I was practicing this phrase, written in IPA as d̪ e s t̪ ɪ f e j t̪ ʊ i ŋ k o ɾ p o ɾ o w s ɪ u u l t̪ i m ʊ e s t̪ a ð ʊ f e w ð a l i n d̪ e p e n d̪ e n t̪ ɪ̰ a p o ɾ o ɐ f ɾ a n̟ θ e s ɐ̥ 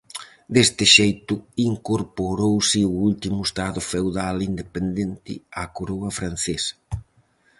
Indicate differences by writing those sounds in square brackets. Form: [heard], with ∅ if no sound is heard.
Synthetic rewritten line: d̪ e s t̪ ɪ [ʃ] e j t̪ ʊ i ŋ k o ɾ p o ɾ o w s ɪ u u l t̪ i m ʊ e s t̪ a ð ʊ f e w ð a l i n d̪ e p e n d̪ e n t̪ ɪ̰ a [k] o ɾ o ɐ f ɾ a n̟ θ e s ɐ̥